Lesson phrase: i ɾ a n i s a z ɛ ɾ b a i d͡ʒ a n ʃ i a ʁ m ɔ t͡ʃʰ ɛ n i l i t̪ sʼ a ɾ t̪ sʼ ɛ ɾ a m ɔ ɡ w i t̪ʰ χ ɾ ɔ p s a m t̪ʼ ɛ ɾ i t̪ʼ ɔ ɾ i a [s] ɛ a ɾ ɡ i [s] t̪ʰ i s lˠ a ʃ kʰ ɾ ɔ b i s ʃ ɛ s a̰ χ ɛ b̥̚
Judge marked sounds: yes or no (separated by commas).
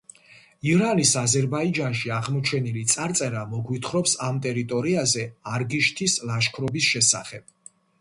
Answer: no, no